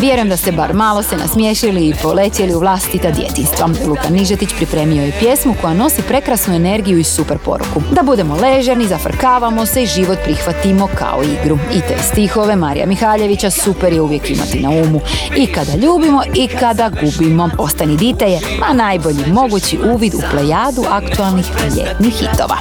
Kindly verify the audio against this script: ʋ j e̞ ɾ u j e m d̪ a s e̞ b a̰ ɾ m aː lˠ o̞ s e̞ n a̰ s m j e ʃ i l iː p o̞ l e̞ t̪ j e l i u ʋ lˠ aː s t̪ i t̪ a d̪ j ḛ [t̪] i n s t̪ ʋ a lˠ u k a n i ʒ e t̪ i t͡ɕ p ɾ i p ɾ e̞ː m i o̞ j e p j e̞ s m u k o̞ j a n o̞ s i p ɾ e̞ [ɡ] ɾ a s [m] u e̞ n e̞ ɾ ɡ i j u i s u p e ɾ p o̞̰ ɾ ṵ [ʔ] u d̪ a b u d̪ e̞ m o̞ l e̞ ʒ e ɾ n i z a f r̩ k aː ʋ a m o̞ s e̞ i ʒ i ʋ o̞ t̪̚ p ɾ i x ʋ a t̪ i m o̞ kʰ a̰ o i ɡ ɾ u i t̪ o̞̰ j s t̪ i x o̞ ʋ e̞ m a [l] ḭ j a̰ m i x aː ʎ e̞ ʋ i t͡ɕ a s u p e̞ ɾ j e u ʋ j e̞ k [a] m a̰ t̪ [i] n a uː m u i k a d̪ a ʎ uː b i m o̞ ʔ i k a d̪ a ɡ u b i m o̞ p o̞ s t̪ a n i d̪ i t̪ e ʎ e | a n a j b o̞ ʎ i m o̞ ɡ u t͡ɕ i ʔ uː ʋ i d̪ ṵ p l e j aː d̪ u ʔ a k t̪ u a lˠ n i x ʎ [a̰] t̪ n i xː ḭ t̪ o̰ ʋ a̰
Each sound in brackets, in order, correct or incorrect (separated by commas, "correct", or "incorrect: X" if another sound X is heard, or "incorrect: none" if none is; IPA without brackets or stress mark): correct, incorrect: k, incorrect: n, incorrect: k, incorrect: ɾ, incorrect: i, correct, incorrect: ḛ